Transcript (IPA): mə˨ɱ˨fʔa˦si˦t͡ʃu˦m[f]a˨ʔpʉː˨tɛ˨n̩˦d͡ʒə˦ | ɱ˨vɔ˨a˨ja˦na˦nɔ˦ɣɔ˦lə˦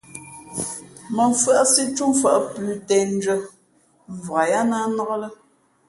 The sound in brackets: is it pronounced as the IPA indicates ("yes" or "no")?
yes